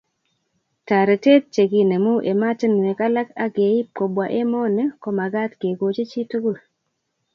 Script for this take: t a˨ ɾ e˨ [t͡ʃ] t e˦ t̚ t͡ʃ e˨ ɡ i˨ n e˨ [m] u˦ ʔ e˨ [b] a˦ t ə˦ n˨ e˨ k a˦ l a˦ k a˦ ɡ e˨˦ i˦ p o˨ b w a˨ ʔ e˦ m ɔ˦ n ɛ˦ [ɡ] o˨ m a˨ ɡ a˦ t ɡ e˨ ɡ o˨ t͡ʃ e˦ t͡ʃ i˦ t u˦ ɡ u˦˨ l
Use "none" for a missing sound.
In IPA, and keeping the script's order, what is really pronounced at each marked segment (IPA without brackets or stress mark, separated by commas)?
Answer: none, m, m, k